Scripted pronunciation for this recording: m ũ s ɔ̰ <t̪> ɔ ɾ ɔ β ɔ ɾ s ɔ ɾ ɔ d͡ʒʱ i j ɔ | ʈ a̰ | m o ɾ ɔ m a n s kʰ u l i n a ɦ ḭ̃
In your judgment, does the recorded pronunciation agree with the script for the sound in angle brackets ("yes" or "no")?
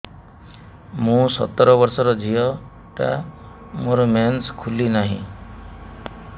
yes